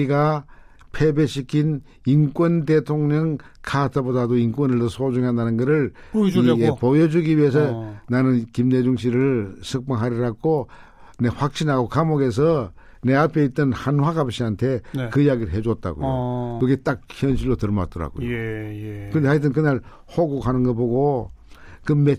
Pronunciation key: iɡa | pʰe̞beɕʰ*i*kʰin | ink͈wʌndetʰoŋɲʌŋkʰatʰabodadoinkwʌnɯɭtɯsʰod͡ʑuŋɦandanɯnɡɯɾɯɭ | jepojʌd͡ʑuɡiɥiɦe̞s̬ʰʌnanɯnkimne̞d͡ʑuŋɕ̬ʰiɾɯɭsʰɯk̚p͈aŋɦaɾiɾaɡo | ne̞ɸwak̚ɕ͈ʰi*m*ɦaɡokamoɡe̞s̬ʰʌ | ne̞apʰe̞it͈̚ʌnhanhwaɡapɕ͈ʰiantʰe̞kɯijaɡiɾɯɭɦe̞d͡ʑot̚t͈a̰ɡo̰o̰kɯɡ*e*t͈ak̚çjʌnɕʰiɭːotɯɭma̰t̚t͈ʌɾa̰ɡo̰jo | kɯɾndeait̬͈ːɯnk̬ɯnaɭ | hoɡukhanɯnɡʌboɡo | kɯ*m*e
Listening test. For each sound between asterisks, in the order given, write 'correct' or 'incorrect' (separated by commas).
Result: correct, incorrect, correct, correct